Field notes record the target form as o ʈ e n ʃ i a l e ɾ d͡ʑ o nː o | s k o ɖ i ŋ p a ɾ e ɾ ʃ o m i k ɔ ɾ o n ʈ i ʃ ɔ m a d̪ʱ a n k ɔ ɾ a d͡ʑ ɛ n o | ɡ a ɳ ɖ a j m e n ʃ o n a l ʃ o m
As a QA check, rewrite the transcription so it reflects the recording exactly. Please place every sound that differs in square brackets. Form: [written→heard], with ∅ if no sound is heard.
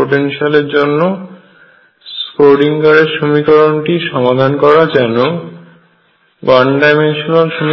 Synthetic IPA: o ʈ e n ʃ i a l e ɾ d͡ʑ o nː o | s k o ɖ i ŋ [p→k] a ɾ e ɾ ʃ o m i k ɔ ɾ o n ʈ i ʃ ɔ m a d̪ʱ a n k ɔ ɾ a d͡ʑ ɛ n o | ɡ a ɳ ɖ a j m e n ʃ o n a l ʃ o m

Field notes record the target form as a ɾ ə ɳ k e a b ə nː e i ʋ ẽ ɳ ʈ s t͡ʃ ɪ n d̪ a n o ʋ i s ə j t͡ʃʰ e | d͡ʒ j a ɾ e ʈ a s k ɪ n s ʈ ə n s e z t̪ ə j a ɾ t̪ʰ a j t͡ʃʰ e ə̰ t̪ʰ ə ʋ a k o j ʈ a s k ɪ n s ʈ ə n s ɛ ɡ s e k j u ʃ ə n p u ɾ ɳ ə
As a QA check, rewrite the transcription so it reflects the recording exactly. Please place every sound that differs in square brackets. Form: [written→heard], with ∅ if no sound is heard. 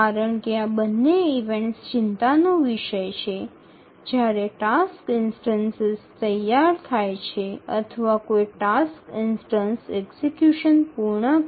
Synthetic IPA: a ɾ ə ɳ k e a b ə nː e i ʋ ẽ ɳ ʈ s t͡ʃ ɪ n [d̪→t̪] a n o ʋ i [s→ʃ] ə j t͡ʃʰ e | d͡ʒ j a ɾ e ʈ a s k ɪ n s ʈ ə n s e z t̪ ə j a ɾ t̪ʰ a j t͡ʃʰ e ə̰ t̪ʰ ə ʋ a k o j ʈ a s k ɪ n s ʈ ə n s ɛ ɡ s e k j u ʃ ə n p u ɾ ɳ ə

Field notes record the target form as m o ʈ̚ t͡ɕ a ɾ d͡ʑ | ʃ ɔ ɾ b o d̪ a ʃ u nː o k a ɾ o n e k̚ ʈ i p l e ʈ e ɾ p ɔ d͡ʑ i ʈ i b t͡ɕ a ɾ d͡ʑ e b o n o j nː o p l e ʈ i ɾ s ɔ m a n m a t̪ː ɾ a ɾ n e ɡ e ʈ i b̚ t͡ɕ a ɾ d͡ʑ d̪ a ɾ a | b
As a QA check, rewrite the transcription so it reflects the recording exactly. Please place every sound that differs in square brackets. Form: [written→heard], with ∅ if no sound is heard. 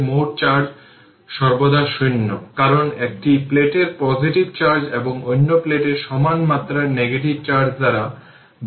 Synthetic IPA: m o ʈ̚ t͡ɕ a ɾ d͡ʑ | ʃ ɔ ɾ b o d̪ a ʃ u nː o k a ɾ o n e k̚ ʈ i p l e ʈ e ɾ p ɔ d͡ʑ i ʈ i b t͡ɕ a ɾ d͡ʑ e b o [n→ŋ] o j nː o p l e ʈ [i→e] ɾ [s→ʃ] ɔ m a n m a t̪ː ɾ a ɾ n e ɡ e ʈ i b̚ t͡ɕ a ɾ d͡ʑ d̪ a ɾ a | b

